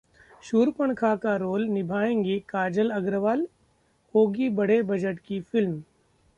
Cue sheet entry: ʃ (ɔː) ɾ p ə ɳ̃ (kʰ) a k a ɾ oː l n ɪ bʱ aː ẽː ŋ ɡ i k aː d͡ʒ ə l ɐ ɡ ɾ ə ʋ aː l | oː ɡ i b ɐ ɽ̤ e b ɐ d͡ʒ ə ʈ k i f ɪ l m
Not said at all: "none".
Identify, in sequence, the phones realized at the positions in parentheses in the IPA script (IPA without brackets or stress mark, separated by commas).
uː, kʰ